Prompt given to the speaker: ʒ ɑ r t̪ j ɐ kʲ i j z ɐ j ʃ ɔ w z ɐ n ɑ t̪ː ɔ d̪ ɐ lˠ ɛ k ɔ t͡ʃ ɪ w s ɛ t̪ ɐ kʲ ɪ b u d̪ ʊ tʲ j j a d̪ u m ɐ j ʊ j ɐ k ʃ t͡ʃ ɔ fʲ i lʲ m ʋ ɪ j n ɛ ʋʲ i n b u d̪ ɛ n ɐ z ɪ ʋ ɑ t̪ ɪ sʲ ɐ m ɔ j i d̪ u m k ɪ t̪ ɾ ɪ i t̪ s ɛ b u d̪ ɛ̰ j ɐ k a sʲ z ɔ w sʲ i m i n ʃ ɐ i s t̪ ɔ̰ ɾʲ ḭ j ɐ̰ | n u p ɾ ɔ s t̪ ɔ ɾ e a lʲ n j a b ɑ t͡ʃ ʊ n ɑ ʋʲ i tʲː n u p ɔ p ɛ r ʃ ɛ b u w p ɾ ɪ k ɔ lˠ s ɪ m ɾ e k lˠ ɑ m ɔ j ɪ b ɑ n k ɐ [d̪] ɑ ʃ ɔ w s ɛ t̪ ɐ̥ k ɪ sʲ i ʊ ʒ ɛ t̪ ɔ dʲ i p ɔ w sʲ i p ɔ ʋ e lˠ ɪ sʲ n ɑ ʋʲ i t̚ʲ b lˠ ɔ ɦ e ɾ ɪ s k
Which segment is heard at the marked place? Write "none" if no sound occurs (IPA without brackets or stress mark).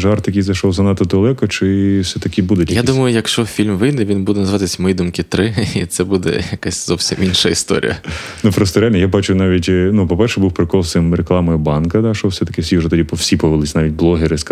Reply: d̪